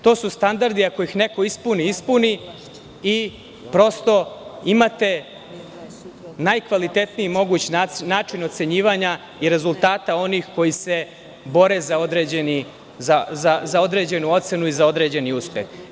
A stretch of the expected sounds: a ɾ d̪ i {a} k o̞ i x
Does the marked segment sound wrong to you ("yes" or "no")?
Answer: no